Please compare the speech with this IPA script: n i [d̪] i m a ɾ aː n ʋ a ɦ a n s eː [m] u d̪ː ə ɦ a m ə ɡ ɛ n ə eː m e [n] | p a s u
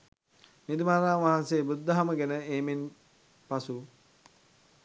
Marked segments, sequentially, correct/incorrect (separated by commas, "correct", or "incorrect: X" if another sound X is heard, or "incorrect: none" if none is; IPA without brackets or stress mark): correct, incorrect: b, correct